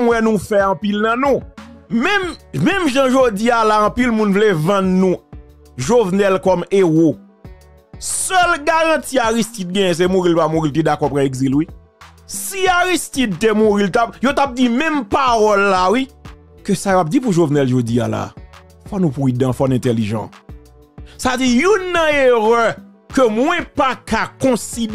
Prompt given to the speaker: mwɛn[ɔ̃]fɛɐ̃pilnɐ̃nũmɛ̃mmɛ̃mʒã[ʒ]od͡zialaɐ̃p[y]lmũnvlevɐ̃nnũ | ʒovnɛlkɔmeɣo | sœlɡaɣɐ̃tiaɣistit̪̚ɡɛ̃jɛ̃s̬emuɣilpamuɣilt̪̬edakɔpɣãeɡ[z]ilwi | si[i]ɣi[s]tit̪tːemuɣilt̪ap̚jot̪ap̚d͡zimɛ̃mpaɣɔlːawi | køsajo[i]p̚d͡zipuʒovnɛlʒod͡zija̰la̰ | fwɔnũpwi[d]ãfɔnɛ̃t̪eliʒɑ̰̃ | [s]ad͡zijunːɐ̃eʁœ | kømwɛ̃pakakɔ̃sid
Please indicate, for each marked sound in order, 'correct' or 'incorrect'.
incorrect, correct, incorrect, correct, incorrect, correct, incorrect, correct, correct

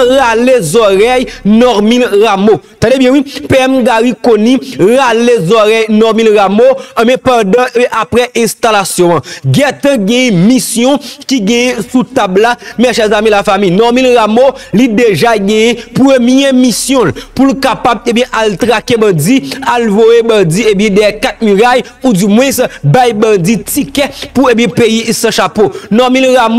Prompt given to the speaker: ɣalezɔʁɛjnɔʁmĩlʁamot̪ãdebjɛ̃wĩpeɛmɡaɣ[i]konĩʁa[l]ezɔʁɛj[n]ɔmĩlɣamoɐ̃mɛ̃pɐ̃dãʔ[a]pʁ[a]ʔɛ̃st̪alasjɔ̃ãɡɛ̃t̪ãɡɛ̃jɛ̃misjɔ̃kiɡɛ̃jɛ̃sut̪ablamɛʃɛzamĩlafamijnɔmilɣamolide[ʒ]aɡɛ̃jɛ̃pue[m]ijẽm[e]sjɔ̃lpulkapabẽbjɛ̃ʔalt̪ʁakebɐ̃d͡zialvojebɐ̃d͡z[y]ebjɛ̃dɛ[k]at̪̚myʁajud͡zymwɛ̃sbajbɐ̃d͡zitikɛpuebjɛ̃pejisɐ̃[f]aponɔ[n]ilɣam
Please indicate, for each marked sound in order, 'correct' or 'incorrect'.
correct, correct, correct, correct, incorrect, correct, correct, incorrect, incorrect, correct, incorrect, incorrect

